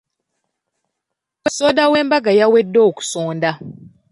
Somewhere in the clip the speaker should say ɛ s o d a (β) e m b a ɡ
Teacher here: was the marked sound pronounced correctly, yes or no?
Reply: no